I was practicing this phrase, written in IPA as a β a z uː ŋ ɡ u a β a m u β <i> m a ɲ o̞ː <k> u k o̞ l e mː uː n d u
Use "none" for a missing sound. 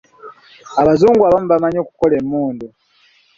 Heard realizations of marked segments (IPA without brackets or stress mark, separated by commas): a, k